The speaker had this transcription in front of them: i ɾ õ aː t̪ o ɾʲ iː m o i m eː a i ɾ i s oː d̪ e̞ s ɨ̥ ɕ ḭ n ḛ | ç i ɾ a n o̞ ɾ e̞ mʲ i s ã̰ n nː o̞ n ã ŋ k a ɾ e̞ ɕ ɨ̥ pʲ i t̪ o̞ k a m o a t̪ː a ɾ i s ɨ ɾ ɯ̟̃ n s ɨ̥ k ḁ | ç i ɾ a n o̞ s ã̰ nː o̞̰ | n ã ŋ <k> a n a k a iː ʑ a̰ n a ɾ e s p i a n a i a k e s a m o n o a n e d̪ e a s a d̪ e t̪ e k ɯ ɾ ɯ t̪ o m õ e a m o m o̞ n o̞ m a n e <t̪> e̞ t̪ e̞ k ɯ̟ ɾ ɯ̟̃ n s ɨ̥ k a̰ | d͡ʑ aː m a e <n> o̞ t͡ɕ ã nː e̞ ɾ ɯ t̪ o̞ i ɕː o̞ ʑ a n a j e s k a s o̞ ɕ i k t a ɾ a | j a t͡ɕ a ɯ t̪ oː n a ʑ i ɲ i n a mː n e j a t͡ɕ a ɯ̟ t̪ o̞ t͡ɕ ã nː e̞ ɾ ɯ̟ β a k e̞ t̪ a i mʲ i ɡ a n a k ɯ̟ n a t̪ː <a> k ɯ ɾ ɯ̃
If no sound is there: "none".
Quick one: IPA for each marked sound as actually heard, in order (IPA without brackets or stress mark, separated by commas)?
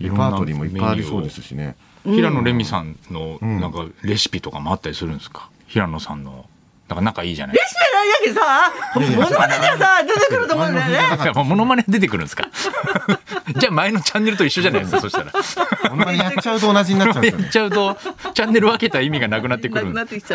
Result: k, d̪, n, e